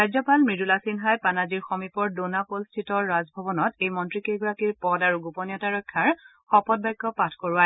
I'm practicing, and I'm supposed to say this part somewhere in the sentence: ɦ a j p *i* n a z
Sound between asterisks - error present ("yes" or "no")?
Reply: yes